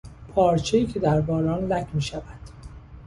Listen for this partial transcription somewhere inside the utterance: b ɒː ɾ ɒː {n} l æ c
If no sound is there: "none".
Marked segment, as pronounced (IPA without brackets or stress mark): n